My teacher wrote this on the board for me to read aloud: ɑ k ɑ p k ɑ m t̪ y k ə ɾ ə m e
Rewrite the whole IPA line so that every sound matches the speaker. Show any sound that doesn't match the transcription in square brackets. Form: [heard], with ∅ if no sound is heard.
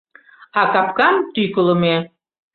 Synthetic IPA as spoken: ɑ k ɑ p k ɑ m t̪ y k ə [l] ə m e